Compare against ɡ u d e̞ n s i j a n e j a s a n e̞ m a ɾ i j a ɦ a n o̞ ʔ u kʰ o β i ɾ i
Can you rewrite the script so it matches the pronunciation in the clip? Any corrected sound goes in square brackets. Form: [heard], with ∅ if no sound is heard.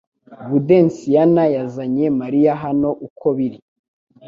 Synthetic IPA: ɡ u d e̞ n s i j a n [a] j a [z] a [ɲ] e̞ m a ɾ i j a ɦ a n o̞ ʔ u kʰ o β i ɾ i

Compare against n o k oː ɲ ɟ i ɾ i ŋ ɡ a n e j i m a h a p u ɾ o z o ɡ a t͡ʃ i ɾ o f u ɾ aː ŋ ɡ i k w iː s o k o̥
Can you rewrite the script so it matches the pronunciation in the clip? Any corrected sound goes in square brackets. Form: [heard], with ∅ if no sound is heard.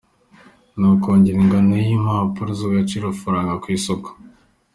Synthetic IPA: n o k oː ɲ ɟ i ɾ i ŋ ɡ a n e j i m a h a p u ɾ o z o ɡ a t͡ʃ i ɾ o f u ɾ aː ŋ ɡ [a] k w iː s o k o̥

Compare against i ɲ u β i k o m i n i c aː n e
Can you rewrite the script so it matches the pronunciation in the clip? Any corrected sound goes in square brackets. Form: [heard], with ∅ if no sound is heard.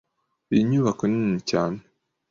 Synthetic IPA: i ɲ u β [a] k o [n] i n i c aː n e

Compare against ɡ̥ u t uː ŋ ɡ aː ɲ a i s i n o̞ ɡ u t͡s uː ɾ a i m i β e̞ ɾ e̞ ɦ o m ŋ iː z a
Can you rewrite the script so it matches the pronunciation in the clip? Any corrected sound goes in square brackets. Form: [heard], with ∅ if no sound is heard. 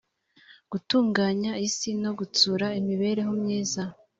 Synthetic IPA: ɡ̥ u t uː ŋ ɡ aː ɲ a i s i n o̞ ɡ u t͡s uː ɾ a i m i β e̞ ɾ e̞ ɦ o m [ɲ] iː z a

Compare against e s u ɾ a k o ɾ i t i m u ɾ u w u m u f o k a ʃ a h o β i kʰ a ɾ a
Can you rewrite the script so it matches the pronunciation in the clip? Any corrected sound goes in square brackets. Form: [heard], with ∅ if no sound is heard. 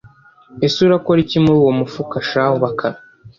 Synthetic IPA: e s u ɾ a k o ɾ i [c] i m u ɾ u w [o] m u f [u] k a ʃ a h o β [a] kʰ a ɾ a

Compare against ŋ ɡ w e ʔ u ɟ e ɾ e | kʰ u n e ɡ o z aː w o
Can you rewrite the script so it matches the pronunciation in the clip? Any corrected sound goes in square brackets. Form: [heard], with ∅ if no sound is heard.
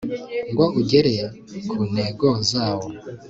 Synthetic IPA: ŋ ɡ w [a] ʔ u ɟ e ɾ e | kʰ u n e ɡ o z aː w o

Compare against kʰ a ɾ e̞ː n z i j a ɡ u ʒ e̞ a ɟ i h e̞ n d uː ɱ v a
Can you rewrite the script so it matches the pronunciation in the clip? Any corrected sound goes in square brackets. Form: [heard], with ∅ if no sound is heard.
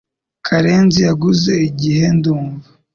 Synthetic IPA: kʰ a ɾ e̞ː n z i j a ɡ u [z] e̞ [i] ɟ i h e̞ n d uː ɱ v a

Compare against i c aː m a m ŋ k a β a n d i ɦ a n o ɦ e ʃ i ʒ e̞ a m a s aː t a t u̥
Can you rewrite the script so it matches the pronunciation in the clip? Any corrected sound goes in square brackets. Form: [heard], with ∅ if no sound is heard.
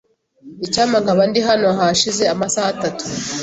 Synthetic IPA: i c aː m a [∅] ŋ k a β a n d i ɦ a n o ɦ [a] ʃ i [z] e̞ a m a s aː t a t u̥

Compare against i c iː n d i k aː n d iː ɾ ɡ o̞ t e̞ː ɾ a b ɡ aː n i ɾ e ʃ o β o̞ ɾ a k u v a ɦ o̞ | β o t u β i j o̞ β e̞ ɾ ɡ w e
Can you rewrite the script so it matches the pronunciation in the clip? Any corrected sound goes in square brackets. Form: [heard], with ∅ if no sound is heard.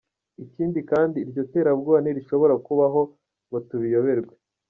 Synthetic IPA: i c iː n d i k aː n d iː ɾ [ɟ] o̞ t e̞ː ɾ a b ɡ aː n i ɾ [i] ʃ o β o̞ ɾ a k u [β] a ɦ o̞ | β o t u β i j o̞ β e̞ ɾ ɡ w e

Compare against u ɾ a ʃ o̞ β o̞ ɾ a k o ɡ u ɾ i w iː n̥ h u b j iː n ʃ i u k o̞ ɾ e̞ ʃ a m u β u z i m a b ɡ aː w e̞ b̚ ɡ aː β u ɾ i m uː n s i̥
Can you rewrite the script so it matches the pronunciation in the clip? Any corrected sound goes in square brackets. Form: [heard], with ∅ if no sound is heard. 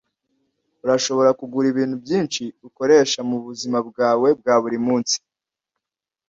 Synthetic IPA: u ɾ a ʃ o̞ β o̞ ɾ a k [u] ɡ u ɾ i [β] iː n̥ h u b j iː n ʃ i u k o̞ ɾ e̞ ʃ a m u β u z i m a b ɡ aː w e̞ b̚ ɡ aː β u ɾ i m uː n s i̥

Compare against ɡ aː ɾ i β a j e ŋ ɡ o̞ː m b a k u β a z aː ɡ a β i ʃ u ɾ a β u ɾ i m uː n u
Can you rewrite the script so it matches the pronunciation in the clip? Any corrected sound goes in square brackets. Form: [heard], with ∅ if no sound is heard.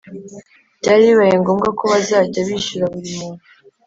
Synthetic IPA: [ɟ] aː ɾ i β a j e ŋ ɡ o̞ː m [ɡ] a k [o] β a z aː [ɟ] a β i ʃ u ɾ a β u ɾ i m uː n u

